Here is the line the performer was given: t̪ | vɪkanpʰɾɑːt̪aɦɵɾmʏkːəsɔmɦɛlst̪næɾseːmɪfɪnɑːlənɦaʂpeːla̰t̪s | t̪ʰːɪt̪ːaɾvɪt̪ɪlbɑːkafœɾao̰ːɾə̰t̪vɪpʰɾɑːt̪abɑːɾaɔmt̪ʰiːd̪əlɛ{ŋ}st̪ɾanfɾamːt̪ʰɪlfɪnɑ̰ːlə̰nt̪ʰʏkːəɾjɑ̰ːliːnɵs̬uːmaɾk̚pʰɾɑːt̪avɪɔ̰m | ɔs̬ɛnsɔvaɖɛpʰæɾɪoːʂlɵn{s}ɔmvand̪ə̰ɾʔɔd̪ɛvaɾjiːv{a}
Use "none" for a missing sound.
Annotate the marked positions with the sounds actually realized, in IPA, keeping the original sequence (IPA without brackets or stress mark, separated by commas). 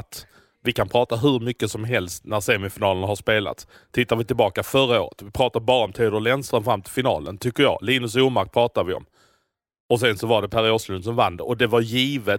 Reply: n, s, ə